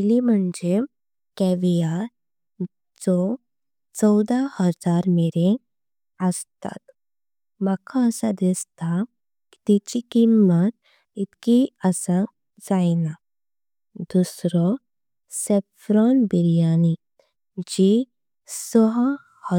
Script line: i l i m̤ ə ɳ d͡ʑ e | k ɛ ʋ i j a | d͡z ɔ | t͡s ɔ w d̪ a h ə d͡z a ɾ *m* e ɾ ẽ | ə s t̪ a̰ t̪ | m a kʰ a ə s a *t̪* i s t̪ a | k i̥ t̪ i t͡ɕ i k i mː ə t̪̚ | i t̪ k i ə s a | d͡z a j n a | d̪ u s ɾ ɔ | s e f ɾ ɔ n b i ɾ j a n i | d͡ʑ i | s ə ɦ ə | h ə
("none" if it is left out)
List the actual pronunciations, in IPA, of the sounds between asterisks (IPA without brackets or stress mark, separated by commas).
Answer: m, d̪